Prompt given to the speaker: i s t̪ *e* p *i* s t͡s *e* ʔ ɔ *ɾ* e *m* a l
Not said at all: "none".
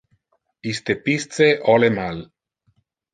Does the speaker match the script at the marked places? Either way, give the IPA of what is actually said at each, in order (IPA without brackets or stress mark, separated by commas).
e, i, e, l, m